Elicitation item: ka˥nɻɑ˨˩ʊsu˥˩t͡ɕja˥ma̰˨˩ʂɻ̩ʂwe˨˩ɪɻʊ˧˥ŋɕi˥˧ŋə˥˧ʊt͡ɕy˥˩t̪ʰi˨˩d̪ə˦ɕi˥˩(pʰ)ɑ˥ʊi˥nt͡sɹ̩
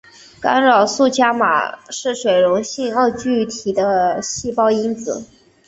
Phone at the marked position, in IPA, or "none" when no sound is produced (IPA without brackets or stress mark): p